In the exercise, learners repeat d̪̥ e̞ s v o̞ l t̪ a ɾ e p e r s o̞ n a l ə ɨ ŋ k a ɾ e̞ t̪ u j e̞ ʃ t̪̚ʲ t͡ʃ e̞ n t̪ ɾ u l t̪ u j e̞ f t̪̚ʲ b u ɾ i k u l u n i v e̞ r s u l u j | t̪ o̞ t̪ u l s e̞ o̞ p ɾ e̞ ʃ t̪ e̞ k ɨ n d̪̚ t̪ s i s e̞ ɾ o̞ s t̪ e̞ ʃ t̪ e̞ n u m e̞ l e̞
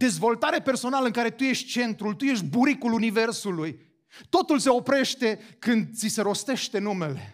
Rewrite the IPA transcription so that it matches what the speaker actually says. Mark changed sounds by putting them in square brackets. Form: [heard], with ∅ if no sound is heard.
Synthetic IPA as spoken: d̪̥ e̞ [z] v o̞ l t̪ a ɾ e p e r s o̞ n a l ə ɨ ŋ k a ɾ e̞ t̪ u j e̞ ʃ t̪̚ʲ t͡ʃ e̞ n t̪ ɾ u l t̪ u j e̞ [ʃ] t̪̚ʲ b u ɾ i k u l u n i v e̞ r s u l u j | t̪ o̞ t̪ u l s e̞ o̞ p ɾ e̞ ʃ t̪ e̞ k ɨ n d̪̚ t̪ s i s e̞ ɾ o̞ s t̪ e̞ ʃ t̪ e̞ n u m e̞ l e̞